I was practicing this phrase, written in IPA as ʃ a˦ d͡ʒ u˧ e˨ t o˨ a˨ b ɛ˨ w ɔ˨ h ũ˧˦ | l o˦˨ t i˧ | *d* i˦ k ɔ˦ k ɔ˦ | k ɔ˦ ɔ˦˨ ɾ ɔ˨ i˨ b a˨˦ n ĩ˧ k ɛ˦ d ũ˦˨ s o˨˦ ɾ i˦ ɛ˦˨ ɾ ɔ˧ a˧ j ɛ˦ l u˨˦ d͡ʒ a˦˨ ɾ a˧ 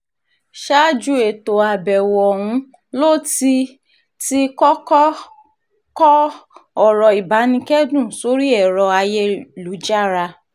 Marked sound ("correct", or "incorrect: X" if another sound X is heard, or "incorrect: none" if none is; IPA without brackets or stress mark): incorrect: t